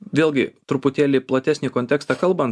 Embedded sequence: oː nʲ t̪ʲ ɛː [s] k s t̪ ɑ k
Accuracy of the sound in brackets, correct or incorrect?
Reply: incorrect